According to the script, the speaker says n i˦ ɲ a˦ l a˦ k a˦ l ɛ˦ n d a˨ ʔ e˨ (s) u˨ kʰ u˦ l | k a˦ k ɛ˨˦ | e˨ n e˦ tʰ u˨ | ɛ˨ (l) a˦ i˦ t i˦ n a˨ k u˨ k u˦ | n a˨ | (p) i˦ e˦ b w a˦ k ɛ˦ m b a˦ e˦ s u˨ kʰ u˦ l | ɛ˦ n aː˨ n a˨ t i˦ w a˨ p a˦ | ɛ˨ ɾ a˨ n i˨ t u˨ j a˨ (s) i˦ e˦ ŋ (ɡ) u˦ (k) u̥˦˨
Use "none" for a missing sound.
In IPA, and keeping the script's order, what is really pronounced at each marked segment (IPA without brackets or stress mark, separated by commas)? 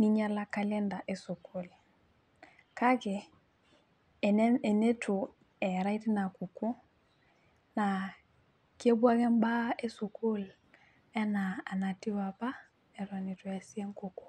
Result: s, ɾ, k, s, k, k